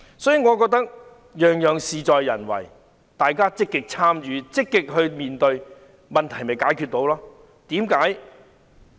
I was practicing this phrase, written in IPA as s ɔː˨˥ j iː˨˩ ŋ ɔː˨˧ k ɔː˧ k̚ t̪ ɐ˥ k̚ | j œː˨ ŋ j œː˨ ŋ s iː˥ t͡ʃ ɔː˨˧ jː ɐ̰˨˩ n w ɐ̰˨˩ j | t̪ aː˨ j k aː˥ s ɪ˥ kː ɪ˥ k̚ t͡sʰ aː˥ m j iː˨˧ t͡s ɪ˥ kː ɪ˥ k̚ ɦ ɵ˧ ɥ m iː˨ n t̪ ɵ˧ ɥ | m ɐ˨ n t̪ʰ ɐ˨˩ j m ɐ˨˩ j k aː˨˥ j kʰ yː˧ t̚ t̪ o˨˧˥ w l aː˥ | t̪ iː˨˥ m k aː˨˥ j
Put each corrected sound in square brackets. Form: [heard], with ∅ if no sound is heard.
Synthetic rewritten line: s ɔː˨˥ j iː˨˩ ŋ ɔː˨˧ k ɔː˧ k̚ t̪ ɐ˥ k̚ | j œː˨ ŋ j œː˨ ŋ s [iː˨] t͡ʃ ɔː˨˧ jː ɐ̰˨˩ n w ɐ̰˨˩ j | t̪ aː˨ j k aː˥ [t͡s] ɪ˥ kː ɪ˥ k̚ t͡sʰ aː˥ m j [yː˨˧] t͡s ɪ˥ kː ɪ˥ k̚ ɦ ɵ˧ ɥ m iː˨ n t̪ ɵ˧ ɥ | m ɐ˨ n t̪ʰ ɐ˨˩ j m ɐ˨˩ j k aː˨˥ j kʰ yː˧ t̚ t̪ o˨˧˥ w l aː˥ | t̪ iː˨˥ m k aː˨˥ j

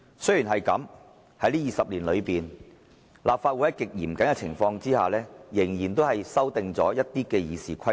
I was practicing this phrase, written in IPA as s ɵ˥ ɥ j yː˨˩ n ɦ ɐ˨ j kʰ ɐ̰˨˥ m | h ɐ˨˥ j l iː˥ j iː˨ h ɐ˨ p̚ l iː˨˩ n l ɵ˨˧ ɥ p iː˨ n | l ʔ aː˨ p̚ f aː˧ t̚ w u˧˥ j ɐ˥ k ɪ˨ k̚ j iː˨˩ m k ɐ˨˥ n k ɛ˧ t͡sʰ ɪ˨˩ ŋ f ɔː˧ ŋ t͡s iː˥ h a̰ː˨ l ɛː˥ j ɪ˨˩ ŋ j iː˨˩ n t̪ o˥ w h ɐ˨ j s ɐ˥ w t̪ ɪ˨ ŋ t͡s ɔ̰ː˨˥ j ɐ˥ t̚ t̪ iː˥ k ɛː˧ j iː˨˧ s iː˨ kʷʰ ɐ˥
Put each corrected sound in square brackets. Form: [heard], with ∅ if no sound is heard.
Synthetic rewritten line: s ɵ˥ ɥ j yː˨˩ n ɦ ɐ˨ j [k] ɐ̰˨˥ m | h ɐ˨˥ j l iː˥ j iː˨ [s] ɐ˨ p̚ l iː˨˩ n l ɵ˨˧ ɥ p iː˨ n | l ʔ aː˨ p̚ f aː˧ t̚ w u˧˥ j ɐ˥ k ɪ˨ k̚ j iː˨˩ m k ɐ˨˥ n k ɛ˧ t͡sʰ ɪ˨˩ ŋ f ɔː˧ ŋ t͡s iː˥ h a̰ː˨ l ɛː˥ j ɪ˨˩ ŋ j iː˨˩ n t̪ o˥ w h ɐ˨ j s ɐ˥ w t̪ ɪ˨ ŋ t͡s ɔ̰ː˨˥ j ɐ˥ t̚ t̪ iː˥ k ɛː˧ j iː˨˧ s iː˨ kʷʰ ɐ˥

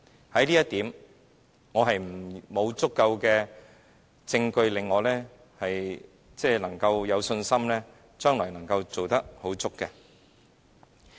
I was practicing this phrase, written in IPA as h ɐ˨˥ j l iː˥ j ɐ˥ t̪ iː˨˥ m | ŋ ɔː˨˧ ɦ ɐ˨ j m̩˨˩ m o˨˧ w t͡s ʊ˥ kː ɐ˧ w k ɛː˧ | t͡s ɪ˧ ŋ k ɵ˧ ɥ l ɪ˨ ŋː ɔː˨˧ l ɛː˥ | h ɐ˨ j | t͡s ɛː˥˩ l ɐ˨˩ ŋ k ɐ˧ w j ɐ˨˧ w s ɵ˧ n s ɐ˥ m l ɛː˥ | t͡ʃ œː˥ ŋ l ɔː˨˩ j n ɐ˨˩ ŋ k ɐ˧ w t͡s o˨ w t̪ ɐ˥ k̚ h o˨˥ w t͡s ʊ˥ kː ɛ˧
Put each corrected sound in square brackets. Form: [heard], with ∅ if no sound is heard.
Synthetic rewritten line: h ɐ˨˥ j l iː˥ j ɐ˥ t̪ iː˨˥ m | ŋ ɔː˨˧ ɦ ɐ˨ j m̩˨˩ m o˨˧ w t͡s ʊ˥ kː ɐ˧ w k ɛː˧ | t͡s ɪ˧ ŋ k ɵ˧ ɥ l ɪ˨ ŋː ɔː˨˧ l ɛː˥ | h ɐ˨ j | t͡s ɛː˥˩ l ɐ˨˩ ŋ k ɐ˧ w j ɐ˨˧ w s ɵ˧ n s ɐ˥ m l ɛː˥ | t͡ʃ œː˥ ŋ l ɔː˨˩ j n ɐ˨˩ ŋ k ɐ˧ w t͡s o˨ w t̪ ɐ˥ k̚ h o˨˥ w t͡s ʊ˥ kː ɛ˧

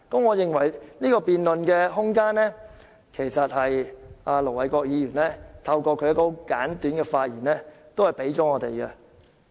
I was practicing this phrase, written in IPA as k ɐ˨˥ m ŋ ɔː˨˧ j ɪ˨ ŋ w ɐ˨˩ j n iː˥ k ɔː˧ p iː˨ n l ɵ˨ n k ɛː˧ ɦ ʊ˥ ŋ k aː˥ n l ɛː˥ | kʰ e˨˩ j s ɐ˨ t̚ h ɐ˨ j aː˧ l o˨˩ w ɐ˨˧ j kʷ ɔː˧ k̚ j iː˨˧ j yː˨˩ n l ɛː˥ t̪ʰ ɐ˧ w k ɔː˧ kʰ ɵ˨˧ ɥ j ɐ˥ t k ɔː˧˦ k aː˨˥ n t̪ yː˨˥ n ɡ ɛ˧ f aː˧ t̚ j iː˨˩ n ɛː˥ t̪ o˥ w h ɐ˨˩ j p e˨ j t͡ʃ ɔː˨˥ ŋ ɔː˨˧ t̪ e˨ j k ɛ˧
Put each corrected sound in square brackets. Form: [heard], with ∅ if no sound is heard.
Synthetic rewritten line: k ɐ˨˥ m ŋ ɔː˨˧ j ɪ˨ ŋ w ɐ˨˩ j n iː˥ k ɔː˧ p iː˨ n l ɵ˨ n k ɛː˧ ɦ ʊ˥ ŋ k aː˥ n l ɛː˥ | kʰ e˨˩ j s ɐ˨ t̚ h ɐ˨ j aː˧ l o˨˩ w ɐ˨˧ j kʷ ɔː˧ k̚ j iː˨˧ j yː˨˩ n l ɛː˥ t̪ʰ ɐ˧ w k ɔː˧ kʰ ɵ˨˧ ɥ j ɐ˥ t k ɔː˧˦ k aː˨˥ n t̪ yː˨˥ n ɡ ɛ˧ f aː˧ t̚ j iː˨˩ n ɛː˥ t̪ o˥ w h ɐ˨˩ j p [e˨˥] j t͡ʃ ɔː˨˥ ŋ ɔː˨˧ t̪ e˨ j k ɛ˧

